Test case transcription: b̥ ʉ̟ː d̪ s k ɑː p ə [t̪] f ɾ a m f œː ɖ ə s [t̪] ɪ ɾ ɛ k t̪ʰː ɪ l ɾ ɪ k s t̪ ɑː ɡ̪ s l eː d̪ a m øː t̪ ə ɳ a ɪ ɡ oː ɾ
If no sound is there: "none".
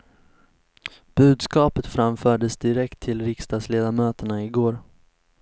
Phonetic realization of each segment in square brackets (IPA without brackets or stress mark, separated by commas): t̪, d̪